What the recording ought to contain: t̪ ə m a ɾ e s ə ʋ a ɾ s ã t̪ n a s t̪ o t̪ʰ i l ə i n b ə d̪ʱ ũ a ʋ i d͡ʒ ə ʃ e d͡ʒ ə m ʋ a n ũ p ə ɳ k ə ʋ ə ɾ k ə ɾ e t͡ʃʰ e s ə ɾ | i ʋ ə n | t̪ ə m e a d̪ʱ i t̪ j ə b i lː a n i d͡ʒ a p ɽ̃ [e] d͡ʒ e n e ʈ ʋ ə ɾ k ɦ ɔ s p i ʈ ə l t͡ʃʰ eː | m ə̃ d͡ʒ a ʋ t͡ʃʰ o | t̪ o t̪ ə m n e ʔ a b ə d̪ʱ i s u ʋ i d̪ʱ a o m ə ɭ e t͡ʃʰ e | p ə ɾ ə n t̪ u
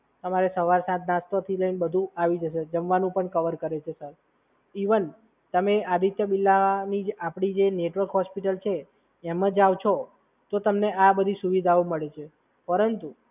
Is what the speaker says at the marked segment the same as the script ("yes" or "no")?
no